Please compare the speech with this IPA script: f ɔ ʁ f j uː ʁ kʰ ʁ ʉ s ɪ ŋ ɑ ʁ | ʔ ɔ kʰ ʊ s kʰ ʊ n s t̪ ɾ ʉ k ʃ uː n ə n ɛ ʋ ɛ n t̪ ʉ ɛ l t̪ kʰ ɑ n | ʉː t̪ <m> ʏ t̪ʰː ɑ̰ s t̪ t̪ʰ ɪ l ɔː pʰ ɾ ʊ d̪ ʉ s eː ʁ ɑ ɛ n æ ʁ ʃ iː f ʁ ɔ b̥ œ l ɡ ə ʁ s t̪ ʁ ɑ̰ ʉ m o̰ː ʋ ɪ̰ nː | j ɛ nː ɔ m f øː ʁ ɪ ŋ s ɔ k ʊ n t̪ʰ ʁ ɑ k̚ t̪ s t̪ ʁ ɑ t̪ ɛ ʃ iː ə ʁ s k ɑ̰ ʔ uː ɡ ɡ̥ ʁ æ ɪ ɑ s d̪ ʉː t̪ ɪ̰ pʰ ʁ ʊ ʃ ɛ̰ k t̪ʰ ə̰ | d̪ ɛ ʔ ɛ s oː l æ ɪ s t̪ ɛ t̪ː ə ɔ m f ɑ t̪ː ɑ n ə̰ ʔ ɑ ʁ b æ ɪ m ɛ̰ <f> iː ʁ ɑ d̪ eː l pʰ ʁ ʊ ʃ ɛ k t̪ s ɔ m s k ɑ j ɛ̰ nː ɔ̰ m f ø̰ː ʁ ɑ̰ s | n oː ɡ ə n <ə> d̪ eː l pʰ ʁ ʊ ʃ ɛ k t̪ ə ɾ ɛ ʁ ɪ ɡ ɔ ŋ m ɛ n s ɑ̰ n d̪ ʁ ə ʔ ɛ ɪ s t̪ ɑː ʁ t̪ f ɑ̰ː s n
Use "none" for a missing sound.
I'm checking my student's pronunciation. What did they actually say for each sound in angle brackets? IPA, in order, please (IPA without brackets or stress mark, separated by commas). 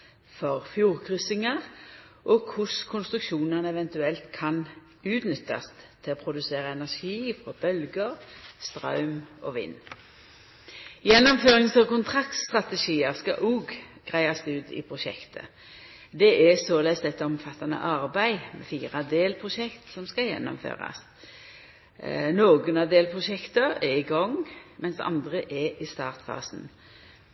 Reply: n, f, ɑ